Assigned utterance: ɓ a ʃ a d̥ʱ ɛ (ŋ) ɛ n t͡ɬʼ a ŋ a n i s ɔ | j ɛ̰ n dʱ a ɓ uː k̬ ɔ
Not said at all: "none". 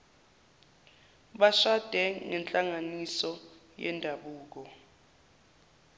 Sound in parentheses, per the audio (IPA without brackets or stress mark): ŋ